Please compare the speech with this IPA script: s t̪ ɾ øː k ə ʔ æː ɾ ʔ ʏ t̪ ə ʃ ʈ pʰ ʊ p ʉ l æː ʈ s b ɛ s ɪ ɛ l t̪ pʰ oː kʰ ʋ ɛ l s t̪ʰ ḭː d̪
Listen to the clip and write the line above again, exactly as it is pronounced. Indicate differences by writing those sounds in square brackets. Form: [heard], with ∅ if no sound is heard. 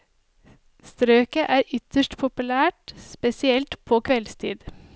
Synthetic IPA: s t̪ ɾ øː k ə ʔ æː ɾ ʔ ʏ t̪ ə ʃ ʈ pʰ ʊ p ʉ l æː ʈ s [p] ɛ s ɪ ɛ l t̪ pʰ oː kʰ ʋ ɛ l s t̪ʰ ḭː d̪